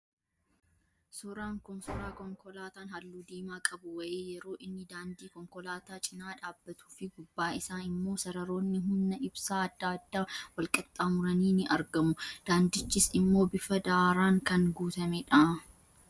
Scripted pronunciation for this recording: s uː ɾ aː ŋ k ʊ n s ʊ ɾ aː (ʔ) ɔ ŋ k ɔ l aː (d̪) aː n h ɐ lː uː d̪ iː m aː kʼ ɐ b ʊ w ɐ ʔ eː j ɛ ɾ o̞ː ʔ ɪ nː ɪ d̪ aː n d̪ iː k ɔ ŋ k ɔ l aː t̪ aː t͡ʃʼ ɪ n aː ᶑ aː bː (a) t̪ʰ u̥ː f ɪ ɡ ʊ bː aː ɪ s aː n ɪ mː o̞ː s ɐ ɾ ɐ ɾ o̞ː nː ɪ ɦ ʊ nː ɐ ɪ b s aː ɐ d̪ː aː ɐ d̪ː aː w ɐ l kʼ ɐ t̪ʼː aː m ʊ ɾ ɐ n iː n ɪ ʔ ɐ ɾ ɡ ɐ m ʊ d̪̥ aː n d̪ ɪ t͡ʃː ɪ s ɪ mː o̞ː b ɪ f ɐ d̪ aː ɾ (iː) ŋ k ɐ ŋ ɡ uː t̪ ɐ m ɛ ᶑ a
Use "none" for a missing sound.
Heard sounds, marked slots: k, t̪, ɐ, aː

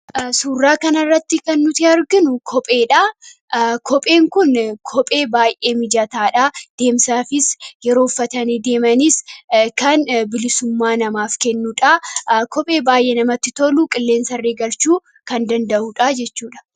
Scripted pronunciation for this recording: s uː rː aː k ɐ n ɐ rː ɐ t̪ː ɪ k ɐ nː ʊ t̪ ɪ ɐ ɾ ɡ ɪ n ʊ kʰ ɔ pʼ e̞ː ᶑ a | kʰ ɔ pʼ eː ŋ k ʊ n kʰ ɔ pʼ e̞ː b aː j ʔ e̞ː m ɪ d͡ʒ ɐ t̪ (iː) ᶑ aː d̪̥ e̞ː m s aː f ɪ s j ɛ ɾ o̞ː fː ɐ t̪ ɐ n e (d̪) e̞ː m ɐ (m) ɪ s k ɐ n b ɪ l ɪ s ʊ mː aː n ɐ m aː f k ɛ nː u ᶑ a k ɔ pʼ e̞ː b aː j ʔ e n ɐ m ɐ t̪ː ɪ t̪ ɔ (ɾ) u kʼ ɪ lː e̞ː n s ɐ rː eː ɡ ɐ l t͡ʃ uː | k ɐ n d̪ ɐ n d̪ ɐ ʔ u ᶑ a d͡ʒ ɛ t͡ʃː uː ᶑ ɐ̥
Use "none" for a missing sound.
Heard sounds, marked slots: aː, d̪, n, l

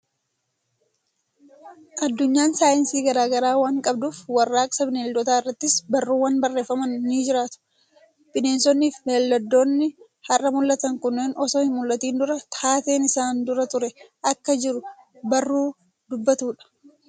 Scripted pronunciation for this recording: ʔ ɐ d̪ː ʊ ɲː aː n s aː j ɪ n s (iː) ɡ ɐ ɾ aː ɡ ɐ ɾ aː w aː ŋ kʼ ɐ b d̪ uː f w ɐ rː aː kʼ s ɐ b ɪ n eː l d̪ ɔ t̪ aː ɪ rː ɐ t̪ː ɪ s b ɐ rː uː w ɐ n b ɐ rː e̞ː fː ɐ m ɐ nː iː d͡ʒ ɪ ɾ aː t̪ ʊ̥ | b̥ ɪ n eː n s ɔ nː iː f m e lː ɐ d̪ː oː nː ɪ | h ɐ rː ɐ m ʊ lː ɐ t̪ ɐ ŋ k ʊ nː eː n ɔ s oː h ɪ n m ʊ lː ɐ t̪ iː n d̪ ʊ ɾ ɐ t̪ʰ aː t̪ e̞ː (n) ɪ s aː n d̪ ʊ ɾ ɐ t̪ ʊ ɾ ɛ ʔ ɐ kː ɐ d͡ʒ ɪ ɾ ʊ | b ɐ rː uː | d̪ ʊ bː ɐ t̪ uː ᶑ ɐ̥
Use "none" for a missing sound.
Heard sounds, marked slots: iː, n

